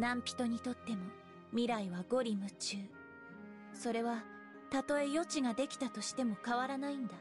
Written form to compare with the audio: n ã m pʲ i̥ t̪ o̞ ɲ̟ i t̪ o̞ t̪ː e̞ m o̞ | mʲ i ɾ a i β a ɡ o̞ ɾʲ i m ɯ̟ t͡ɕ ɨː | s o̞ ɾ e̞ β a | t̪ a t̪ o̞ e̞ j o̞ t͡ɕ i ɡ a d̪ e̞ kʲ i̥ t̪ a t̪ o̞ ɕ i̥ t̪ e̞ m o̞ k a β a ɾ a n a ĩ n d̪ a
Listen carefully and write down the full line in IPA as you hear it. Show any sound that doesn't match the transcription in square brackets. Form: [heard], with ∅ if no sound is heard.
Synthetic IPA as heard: n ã m pʲ i̥ t̪ o̞ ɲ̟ i t̪ o̞ t̪ː e̞ m o̞ | mʲ i ɾ a i β a ɡ o̞ ɾʲ i m ɯ̟ t͡ɕ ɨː | s o̞ ɾ e̞ β a | t̪ a t̪ o̞ e̞ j o̞ t͡ɕ i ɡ a d̪ e̞ kʲ i̥ t̪ a t̪ o̞ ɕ i̥ t̪ e̞ m o̞ k a β a ɾ a n a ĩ n d̪ a